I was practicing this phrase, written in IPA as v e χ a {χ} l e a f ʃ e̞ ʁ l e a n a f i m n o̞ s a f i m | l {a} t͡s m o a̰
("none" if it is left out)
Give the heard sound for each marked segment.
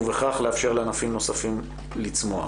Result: χ, i

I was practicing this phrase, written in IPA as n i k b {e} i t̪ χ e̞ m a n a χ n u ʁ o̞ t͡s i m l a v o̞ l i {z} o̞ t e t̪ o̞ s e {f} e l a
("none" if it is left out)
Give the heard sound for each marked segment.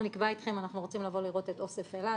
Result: a, ʁ, f

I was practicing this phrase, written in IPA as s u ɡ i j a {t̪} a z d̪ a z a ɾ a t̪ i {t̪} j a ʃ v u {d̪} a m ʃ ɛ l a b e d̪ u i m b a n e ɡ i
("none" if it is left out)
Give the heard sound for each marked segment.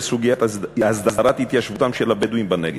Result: t̪, t̪, t̪

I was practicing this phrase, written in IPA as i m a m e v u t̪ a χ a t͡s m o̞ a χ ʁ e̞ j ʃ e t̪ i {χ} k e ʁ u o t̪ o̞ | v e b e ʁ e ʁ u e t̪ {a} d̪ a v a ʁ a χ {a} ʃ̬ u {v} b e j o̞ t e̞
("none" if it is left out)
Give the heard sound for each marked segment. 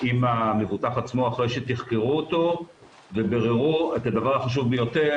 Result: χ, a, a, v

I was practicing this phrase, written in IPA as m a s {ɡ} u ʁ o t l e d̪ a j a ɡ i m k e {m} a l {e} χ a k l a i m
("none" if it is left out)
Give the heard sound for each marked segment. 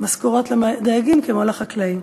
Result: k, m, a

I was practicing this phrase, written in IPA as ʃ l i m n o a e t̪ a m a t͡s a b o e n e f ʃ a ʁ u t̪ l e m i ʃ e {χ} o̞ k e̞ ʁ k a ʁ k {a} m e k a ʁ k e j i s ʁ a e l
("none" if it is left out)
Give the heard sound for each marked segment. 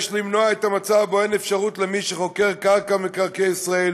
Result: χ, a

